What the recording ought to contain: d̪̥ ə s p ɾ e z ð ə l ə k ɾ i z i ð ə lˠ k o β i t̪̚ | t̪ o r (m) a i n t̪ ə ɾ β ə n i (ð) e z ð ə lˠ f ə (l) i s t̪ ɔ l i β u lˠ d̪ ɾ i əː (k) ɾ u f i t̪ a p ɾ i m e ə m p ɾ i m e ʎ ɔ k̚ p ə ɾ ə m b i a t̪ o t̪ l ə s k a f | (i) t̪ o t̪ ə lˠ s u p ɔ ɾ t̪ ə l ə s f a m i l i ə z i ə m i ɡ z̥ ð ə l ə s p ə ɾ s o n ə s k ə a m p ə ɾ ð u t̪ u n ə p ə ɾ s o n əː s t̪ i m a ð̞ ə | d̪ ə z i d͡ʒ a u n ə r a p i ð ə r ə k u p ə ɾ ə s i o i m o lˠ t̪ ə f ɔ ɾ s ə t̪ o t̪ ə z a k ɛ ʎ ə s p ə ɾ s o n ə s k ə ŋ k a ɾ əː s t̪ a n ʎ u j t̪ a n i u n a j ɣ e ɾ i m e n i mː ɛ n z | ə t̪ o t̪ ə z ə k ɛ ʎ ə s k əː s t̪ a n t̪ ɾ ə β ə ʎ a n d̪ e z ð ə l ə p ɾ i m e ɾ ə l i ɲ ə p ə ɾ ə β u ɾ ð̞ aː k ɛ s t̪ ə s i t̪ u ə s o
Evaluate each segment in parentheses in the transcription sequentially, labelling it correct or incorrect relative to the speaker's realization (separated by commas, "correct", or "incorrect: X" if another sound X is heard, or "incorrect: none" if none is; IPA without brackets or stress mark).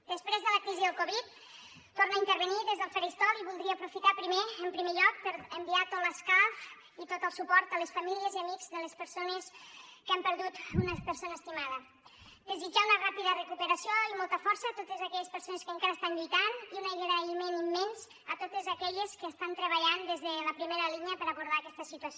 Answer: incorrect: n, correct, incorrect: ɾ, incorrect: p, correct